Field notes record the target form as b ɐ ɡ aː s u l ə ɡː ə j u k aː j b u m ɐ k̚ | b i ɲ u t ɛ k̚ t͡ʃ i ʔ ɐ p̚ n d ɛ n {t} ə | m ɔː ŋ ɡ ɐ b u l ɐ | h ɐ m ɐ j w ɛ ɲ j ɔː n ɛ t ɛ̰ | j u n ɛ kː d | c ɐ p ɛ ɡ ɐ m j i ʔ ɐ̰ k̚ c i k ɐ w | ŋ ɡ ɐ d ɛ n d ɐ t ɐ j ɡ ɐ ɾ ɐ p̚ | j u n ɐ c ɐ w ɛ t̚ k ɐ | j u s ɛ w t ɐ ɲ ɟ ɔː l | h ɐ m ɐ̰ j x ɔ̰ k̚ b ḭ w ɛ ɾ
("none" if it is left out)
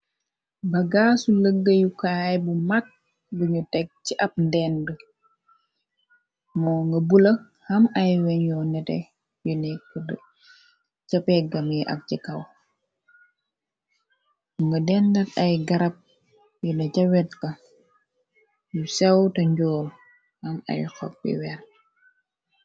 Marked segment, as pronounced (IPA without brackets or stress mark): d